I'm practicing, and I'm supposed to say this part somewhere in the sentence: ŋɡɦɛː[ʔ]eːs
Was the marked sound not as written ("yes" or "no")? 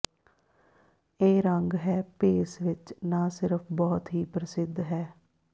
yes